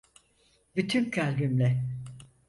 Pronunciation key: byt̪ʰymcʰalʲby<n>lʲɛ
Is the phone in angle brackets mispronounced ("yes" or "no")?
yes